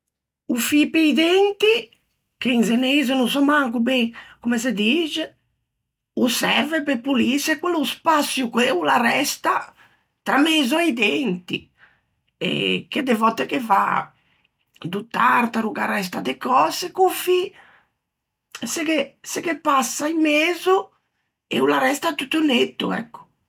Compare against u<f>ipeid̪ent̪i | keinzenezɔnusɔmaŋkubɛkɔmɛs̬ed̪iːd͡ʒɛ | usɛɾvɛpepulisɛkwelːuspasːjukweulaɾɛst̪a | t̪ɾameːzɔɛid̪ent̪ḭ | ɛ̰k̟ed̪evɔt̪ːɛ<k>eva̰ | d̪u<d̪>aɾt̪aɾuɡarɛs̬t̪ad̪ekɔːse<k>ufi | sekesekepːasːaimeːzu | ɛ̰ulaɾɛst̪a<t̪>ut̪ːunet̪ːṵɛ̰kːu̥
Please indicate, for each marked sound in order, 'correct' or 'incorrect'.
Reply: correct, correct, incorrect, correct, correct

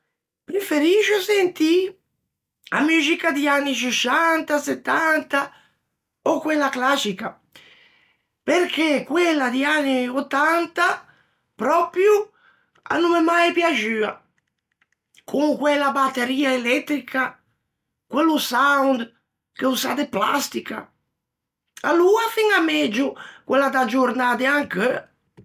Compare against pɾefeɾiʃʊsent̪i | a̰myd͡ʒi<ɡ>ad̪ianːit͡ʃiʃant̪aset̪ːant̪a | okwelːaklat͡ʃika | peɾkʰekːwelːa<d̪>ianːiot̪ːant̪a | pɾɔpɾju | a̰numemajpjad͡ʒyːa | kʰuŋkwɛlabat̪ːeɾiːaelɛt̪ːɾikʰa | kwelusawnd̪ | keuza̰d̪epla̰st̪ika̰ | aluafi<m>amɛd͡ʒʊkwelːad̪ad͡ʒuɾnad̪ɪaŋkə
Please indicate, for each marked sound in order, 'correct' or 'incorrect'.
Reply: incorrect, correct, incorrect

